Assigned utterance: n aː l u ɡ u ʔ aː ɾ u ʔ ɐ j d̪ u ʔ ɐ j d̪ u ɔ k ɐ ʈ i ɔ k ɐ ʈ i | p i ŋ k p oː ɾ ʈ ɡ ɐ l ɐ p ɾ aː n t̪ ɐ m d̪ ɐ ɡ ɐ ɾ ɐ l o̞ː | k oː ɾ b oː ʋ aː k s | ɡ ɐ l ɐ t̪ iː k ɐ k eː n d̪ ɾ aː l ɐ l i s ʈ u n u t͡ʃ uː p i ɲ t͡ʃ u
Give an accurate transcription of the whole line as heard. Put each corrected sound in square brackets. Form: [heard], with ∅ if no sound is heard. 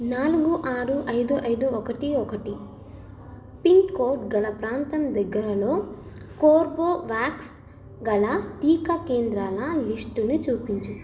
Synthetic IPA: n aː l u ɡ u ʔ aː ɾ u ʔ ɐ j d̪ u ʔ ɐ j d̪ u ɔ k ɐ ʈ i ɔ k ɐ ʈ i | p i ŋ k [k] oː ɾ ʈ ɡ ɐ l ɐ p ɾ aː n t̪ ɐ m d̪ ɐ [ɡː] ɐ ɾ ɐ l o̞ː | k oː ɾ b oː ʋ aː k s | ɡ ɐ l ɐ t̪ iː k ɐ k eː n d̪ ɾ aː l ɐ l i s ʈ u n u t͡ʃ uː p i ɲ t͡ʃ u